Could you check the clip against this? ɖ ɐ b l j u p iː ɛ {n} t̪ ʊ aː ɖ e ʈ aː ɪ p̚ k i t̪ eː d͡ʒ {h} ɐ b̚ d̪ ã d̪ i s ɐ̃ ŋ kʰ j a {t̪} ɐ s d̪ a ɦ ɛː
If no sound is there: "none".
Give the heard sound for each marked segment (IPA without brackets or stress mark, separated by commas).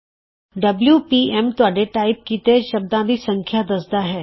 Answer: m, ʃ, d̪